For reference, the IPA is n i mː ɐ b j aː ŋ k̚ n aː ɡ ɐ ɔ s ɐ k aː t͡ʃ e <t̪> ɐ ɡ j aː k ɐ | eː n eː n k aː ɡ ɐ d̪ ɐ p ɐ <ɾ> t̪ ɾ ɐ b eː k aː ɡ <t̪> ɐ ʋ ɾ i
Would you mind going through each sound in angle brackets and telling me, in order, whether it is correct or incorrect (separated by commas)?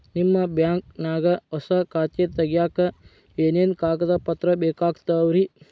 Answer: correct, incorrect, correct